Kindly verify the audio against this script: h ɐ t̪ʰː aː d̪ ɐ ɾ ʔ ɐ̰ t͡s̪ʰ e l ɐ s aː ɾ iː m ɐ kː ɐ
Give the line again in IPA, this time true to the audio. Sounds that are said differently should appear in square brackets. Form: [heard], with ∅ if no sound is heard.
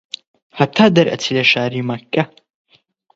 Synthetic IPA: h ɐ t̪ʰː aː d̪ ɐ ɾ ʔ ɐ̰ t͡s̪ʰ [i] l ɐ [ʃ] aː ɾ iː m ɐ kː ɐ